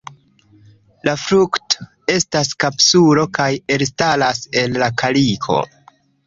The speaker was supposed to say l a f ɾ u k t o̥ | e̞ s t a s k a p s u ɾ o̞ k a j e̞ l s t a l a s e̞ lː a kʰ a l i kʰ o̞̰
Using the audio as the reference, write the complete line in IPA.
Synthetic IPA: l a f ɾ u k t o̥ | e̞ s t a s k a p s u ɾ o̞ k a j e̞ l s t a l a s e̞ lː a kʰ a l i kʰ o̞̰